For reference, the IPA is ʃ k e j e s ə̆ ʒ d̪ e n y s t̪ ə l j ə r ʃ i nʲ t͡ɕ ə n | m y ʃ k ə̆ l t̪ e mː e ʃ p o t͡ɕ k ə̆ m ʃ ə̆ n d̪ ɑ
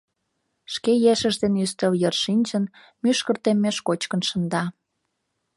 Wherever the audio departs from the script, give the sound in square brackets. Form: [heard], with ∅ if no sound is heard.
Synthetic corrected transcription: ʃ k e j e [ʃ] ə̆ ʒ d̪ e n y s t̪ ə l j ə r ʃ i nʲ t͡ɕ ə n | m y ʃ k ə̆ [r] t̪ e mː e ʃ [k] o t͡ɕ k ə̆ [n] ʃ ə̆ n d̪ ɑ